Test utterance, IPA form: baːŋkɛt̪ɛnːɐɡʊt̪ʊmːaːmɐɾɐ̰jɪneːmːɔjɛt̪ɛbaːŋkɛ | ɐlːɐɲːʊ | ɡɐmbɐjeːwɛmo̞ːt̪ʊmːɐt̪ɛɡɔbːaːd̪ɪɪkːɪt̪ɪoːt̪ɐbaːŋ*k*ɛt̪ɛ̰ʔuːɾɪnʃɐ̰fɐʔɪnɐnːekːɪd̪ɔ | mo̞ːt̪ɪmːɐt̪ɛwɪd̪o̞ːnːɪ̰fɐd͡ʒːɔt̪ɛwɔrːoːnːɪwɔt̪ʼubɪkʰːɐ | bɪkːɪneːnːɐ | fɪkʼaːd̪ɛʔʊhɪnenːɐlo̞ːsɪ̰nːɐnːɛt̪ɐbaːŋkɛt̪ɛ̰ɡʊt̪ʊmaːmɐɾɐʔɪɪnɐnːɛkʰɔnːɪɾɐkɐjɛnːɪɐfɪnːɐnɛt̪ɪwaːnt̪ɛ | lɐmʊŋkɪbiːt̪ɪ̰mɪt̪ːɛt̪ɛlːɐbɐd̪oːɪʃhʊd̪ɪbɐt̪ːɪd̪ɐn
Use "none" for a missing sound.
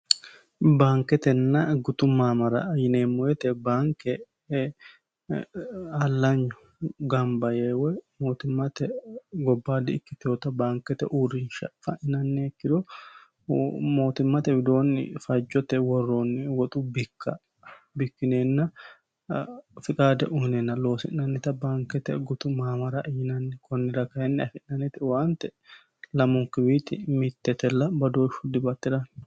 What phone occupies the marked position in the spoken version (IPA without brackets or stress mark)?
k